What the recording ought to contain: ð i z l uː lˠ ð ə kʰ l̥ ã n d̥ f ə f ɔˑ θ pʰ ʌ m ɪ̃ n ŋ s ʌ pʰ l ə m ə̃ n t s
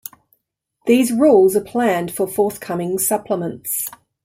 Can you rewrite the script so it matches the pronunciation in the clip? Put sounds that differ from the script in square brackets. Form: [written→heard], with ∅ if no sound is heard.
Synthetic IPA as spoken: ð [i→iː] z [l→ɹ] uː lˠ [ð→z] ə [kʰ→pʰ] l̥ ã n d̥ f ə f ɔˑ θ [pʰ→kʰ] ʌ m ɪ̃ [n→∅] ŋ s ʌ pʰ l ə m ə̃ n t s